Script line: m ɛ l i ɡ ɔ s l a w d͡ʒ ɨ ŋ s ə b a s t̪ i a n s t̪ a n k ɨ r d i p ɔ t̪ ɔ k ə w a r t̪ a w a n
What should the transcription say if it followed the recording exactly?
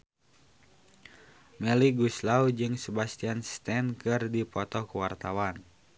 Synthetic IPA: m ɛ l i ɡ u s l a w d͡ʒ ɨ ŋ s ə b a s t̪ i a n s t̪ ɛ n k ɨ r d i p ɔ t̪ ɔ k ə w a r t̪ a w a n